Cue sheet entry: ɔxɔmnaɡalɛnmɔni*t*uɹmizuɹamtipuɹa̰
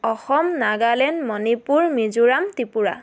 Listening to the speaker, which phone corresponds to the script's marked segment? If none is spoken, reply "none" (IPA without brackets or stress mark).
p